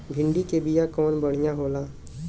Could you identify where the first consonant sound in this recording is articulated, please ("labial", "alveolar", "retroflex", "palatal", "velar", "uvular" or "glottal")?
labial